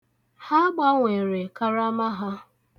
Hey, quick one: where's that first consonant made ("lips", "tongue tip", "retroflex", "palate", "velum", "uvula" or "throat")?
throat